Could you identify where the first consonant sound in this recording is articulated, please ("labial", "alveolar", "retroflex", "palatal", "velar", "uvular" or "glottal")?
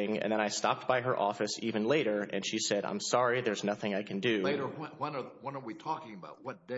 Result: velar